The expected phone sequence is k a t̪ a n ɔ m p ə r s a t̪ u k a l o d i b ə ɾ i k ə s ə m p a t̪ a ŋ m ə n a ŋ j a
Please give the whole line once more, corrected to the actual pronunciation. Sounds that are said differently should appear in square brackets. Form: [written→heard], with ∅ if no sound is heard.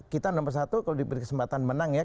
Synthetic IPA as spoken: k [a→i] t̪ a n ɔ m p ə r s a t̪ u k a l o d i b ə ɾ i k ə s ə m p a t̪ a [ŋ→n] m ə n a ŋ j a